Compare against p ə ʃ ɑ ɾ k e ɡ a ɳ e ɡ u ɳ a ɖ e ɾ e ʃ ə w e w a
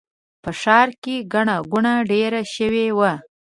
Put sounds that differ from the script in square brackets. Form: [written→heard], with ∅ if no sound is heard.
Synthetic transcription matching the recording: p ə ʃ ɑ ɾ k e ɡ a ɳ [e→a] ɡ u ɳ a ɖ e ɾ [e→a] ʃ ə w e w a